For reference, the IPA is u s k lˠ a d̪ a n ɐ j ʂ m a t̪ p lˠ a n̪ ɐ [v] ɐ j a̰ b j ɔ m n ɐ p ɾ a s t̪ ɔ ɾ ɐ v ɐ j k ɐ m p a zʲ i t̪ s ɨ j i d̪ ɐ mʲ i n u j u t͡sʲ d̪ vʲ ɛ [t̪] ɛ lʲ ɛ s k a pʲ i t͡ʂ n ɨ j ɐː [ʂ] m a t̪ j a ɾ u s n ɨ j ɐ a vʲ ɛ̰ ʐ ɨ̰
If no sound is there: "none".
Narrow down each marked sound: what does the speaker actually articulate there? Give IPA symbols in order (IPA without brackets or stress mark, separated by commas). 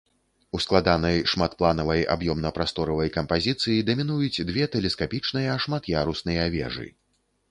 v, t̪, ʂ